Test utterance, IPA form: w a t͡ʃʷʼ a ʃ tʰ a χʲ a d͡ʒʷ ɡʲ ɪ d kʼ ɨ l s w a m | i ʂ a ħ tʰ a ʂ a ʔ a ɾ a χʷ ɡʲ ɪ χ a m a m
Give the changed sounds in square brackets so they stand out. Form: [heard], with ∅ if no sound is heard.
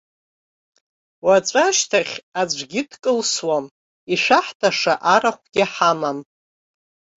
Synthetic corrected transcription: w a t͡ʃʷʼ a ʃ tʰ a χʲ a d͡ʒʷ ɡʲ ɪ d kʼ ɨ l s w a m | i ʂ a ħ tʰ a ʂ a ʔ a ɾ a χʷ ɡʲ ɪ [ħ] a m a m